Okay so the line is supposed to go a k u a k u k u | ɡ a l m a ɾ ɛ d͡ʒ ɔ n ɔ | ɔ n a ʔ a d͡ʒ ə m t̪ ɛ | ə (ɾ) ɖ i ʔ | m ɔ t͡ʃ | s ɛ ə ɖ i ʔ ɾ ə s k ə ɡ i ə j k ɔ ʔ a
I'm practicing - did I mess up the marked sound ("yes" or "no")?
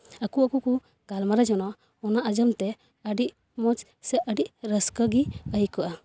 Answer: yes